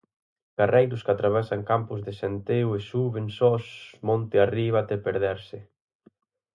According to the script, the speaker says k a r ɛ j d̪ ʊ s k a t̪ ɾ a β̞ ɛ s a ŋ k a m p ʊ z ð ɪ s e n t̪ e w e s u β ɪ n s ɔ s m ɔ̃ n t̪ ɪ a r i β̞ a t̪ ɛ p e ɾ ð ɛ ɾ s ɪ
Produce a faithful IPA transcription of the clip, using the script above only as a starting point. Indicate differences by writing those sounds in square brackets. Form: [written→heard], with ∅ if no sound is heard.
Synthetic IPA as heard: k a r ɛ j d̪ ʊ s k a t̪ ɾ a β̞ ɛ s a ŋ k a m p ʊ z ð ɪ s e n t̪ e w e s u β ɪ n s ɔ s m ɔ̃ n t̪ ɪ a r i β̞ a t̪ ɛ p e ɾ ð ɛ ɾ s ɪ